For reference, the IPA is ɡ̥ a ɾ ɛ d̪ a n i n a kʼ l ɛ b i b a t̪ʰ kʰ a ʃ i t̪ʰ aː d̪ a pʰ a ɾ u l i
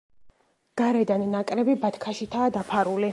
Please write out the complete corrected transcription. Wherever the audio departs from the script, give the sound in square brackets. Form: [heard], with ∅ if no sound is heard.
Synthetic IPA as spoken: ɡ̥ a ɾ ɛ d̪ a n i n a kʼ [ɾ] ɛ b i b a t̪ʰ kʰ a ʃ i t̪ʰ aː d̪ a pʰ a ɾ u l i